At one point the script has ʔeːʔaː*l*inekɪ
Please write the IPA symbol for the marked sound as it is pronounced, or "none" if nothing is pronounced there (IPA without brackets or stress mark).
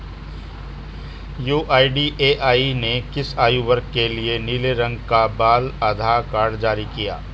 none